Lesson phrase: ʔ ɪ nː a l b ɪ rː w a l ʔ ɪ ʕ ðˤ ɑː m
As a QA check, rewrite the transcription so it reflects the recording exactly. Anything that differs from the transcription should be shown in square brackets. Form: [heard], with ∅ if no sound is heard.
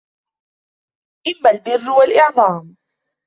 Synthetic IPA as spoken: ʔ ɪ [mː] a l b ɪ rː w a l ʔ ɪ ʕ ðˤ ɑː m